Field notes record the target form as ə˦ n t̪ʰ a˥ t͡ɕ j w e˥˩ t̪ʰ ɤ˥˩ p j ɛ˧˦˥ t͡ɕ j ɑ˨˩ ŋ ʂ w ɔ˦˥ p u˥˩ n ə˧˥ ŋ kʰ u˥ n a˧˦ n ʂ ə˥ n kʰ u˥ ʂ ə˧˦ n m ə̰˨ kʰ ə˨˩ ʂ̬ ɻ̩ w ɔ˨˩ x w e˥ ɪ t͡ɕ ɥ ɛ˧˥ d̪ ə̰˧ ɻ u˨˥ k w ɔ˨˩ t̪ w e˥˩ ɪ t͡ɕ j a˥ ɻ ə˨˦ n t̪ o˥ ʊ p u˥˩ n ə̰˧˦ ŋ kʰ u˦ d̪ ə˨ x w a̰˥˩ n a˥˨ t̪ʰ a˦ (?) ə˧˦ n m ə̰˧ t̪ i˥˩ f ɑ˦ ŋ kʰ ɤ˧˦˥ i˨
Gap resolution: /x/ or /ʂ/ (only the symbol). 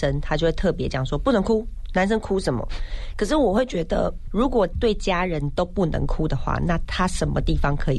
ʂ